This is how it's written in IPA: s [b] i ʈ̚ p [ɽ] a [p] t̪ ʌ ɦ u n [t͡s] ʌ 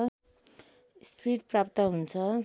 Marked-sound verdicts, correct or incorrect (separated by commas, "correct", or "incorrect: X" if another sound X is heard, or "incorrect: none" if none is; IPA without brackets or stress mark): incorrect: p, incorrect: r, correct, incorrect: t͡sʰ